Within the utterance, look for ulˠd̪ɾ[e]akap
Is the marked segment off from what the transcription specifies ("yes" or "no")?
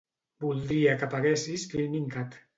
yes